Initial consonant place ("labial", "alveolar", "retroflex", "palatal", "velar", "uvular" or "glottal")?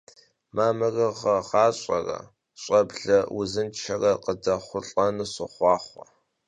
labial